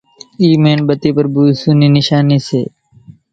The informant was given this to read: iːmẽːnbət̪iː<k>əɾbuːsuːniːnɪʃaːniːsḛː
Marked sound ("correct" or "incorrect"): incorrect